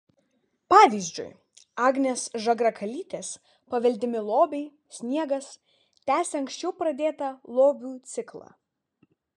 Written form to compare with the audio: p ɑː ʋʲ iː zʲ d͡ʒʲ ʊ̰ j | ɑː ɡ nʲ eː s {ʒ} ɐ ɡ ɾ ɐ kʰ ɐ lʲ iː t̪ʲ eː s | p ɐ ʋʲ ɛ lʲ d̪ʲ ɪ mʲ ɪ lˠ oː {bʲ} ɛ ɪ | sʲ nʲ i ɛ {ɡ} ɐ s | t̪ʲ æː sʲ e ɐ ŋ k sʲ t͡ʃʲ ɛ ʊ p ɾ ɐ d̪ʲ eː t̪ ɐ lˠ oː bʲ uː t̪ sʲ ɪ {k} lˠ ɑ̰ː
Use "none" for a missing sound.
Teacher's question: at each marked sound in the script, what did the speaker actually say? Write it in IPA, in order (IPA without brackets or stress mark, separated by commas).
ʒ, bʲ, ɡ, k